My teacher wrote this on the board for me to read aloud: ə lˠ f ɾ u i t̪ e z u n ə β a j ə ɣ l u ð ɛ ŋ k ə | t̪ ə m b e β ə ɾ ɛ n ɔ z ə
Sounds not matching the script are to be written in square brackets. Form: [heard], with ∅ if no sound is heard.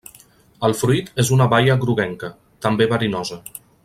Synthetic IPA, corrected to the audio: ə lˠ f ɾ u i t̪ e z u n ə β a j ə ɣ [ɾ] u [ɣ] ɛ ŋ k ə | t̪ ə m b e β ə ɾ [i] n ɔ z ə